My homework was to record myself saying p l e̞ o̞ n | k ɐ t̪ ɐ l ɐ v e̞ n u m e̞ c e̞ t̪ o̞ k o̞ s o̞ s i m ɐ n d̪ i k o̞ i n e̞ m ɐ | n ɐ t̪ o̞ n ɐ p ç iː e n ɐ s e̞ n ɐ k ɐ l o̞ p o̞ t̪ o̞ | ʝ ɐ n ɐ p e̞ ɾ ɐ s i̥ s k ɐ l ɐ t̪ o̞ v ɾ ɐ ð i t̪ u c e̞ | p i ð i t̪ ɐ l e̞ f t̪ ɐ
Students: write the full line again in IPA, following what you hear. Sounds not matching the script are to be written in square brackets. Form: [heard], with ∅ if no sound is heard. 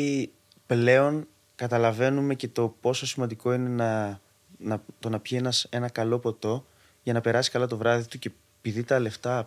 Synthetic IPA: p l e̞ o̞ n | k ɐ t̪ ɐ l ɐ v e̞ n u m e̞ c e̞ t̪ o̞ [p] o̞ s o̞ s i m ɐ n d̪ i k o̞ i n e̞ [n] ɐ | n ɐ t̪ o̞ n ɐ p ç [i] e n ɐ s e̞ n ɐ k ɐ l o̞ p o̞ t̪ o̞ | ʝ ɐ n ɐ p e̞ ɾ ɐ s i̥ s k ɐ l ɐ t̪ o̞ v ɾ ɐ ð i t̪ u c e̞ | p i ð i t̪ ɐ l e̞ f t̪ ɐ